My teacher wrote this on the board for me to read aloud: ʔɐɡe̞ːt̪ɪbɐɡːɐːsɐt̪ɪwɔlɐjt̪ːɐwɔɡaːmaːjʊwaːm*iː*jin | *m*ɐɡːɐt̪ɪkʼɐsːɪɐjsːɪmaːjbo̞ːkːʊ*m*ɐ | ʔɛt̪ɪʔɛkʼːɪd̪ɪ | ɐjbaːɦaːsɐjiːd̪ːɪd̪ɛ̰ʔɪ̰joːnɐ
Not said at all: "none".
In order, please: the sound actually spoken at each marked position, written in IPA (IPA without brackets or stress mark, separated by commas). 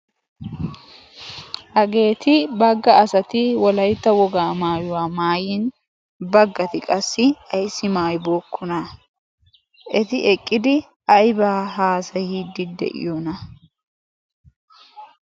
aː, b, n